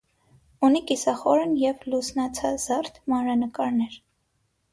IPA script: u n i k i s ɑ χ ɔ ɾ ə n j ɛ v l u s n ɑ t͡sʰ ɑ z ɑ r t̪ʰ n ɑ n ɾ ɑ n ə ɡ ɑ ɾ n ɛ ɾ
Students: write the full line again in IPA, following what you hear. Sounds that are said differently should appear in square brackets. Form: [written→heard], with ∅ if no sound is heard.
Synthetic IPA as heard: u n i k i s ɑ χ ɔ ɾ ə n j ɛ v l u s n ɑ t͡sʰ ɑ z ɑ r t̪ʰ [n→m] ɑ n ɾ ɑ n ə [ɡ→k] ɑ ɾ n ɛ ɾ